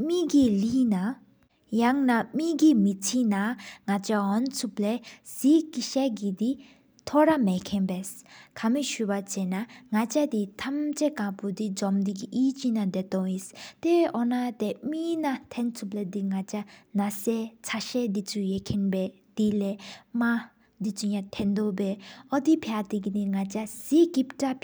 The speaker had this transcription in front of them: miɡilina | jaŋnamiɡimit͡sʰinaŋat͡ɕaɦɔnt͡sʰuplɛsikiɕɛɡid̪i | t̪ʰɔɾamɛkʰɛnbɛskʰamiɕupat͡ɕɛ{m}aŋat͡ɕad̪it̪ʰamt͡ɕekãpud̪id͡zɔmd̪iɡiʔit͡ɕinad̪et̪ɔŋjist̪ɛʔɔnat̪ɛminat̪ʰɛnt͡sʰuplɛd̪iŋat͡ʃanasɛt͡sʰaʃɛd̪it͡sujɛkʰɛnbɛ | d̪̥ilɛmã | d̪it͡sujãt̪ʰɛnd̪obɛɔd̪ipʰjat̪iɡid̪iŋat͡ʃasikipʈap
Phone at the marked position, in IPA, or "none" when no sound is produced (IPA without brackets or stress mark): n